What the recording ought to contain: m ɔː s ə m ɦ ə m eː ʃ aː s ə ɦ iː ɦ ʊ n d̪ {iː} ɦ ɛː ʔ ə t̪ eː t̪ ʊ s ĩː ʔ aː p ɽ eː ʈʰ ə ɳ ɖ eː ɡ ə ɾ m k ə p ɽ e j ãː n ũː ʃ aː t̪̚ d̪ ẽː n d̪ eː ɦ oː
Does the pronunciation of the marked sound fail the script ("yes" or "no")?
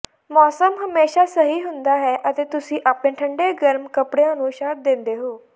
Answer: yes